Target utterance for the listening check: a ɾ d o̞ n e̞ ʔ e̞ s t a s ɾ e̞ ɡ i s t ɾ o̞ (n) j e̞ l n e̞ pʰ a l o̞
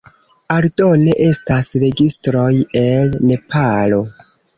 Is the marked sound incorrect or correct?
incorrect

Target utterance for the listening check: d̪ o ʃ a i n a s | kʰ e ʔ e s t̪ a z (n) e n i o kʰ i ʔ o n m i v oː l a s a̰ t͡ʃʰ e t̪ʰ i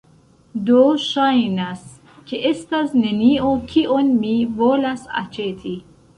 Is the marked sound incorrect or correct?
correct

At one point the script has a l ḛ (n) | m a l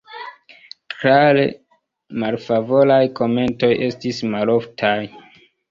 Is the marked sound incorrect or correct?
incorrect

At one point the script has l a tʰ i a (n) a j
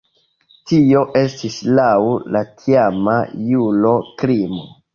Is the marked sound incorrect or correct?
incorrect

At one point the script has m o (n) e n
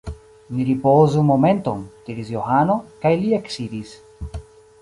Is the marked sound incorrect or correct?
incorrect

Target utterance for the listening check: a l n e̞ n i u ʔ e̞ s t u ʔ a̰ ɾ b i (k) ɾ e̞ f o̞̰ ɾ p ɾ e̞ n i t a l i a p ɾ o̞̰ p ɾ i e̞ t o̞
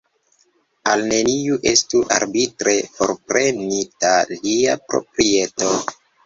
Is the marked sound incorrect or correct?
incorrect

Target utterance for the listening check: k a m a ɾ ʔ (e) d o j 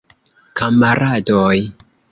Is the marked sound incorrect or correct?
incorrect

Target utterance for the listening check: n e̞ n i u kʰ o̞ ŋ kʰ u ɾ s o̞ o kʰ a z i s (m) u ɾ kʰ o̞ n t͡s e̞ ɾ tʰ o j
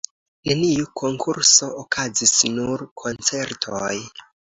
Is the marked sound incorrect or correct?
incorrect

